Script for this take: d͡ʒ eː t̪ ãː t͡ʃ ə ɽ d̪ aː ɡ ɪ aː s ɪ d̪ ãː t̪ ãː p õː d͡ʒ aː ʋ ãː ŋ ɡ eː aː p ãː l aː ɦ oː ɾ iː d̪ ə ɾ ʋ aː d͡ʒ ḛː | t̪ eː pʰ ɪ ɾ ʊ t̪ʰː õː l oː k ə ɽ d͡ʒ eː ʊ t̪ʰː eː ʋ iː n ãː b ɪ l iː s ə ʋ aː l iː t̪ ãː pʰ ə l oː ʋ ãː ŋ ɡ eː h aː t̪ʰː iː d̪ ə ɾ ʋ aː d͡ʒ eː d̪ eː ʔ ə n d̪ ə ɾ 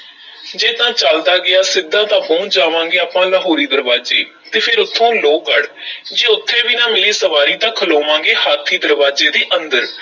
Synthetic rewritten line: d͡ʒ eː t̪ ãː t͡ʃ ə l d̪ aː ɡ ɪ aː s ɪ d̪ ãː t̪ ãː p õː d͡ʒ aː ʋ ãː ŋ ɡ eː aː p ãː l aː ɦ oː ɾ iː d̪ ə ɾ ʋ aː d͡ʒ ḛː | t̪ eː pʰ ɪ ɾ ʊ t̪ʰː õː l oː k ə ɽ d͡ʒ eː ʊ t̪ʰː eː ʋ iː n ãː m ɪ l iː s ə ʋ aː ɾ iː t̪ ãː kʰ ə l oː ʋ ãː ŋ ɡ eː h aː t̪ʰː iː d̪ ə ɾ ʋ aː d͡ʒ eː d̪ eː ʔ ə n d̪ ə ɾ